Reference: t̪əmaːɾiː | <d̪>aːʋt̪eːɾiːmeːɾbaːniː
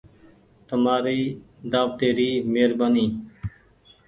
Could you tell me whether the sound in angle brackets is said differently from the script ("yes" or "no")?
no